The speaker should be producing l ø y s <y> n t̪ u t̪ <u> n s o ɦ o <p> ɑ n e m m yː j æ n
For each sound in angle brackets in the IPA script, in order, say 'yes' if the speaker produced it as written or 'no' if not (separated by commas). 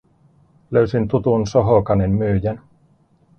no, yes, no